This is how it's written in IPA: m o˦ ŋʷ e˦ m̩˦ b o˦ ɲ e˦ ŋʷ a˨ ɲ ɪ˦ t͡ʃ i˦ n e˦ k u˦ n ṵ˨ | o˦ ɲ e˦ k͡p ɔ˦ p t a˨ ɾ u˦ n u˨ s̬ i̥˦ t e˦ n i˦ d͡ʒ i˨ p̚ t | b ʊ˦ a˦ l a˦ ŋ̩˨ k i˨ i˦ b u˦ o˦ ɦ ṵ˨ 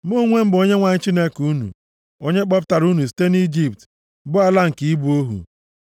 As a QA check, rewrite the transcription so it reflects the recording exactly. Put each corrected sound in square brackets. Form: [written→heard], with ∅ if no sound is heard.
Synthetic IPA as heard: m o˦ ŋʷ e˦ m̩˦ b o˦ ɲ e˦ ŋʷ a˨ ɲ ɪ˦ t͡ʃ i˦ n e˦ k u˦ n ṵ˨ | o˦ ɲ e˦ k͡p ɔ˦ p t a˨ ɾ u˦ n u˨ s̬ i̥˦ t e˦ n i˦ d͡ʒ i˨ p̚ t | b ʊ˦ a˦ l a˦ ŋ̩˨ k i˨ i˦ b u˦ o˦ ɦ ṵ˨